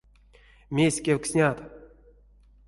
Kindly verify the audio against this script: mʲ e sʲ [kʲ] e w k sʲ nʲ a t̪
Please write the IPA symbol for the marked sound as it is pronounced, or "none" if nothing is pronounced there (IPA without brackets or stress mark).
kʲ